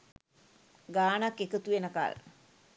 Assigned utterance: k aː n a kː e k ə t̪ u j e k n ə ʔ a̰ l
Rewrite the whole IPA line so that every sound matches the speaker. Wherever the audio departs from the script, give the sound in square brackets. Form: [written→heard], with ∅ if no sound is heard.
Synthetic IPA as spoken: [k→ɡ] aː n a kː e k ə t̪ u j e [k→∅] n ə [ʔ→k] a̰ l